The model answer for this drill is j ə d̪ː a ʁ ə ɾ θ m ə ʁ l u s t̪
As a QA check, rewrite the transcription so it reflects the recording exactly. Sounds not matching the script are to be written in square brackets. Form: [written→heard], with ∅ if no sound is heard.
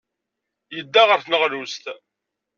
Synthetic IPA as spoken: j ə d̪ː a ʁ ə ɾ θ [m→n] ə ʁ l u s t̪